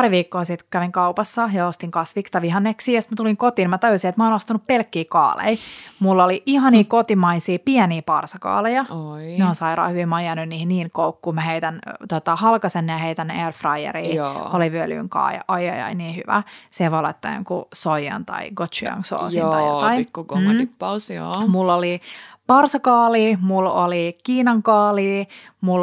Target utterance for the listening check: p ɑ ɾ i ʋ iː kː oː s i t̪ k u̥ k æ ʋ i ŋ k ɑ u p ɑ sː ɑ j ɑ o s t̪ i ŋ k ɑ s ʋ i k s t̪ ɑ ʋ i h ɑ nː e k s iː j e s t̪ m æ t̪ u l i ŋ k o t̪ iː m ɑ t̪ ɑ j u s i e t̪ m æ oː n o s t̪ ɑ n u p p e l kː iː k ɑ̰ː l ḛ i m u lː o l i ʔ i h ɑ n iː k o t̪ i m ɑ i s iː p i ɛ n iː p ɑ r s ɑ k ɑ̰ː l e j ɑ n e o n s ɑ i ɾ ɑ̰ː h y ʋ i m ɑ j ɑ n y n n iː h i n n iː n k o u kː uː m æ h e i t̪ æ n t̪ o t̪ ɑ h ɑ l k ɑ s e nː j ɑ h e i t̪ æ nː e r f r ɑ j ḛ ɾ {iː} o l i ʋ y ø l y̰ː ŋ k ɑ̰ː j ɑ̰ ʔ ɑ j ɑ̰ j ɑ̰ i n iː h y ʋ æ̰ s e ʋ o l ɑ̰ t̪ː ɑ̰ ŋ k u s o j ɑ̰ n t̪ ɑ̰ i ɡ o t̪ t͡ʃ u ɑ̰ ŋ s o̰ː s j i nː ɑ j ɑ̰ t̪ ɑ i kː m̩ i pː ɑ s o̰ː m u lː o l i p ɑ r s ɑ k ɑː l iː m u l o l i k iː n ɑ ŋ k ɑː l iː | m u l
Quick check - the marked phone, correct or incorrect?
correct